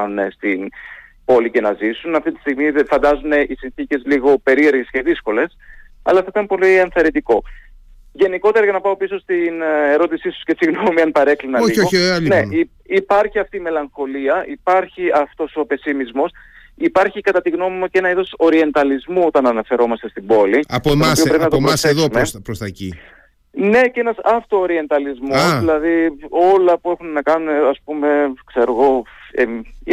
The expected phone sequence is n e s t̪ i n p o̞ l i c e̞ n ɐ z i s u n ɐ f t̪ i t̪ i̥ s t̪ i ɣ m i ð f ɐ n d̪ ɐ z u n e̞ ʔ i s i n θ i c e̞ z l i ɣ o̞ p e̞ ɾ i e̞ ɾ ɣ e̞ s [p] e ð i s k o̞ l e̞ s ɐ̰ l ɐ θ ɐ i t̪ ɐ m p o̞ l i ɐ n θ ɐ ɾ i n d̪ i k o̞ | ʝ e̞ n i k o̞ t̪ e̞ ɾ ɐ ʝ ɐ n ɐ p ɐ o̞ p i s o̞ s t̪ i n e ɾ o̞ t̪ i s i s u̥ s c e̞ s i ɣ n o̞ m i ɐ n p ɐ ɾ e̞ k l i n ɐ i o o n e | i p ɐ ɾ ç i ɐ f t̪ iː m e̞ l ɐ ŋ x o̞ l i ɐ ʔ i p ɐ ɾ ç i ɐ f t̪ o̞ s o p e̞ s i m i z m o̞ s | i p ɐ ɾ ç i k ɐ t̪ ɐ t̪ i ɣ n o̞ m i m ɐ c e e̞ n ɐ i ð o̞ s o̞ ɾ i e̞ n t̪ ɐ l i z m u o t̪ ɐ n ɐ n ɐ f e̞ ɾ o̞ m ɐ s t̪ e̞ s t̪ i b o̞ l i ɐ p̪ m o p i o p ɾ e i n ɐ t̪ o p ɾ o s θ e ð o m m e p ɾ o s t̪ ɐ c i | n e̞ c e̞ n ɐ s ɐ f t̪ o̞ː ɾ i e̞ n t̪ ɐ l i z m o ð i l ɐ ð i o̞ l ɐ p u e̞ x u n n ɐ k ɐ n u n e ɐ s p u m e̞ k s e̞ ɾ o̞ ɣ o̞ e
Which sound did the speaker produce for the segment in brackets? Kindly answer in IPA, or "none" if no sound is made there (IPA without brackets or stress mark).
c